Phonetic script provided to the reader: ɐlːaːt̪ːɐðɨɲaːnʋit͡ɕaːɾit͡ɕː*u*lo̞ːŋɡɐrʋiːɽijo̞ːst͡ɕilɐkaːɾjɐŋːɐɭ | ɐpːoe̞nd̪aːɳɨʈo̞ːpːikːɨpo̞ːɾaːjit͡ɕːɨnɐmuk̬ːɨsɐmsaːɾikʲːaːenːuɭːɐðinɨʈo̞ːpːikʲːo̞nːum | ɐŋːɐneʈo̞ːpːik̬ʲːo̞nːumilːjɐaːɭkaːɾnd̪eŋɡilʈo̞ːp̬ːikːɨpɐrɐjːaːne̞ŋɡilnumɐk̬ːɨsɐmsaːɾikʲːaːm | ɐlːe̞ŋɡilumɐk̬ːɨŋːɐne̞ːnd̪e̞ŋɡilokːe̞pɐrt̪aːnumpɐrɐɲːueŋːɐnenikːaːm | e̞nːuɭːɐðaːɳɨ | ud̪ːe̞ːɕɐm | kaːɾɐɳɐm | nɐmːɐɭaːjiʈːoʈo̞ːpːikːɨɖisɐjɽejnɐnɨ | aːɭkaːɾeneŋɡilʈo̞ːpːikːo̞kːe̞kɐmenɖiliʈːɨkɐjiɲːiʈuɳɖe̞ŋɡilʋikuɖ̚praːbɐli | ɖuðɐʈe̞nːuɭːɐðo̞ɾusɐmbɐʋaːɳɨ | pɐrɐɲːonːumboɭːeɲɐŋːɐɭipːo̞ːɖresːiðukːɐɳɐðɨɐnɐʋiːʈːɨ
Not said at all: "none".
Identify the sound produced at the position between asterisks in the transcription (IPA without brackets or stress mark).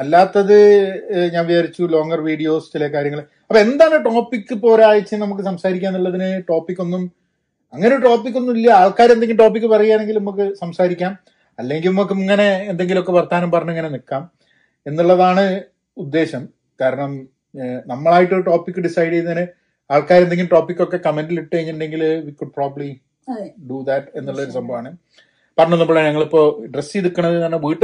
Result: u